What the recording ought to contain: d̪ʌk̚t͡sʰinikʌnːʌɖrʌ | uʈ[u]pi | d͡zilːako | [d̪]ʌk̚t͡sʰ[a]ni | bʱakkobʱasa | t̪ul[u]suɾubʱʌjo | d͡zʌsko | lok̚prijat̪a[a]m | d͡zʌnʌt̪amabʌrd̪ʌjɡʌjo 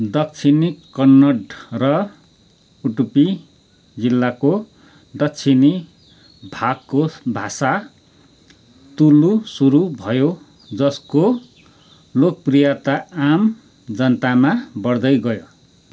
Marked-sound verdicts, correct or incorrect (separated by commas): correct, correct, incorrect, correct, correct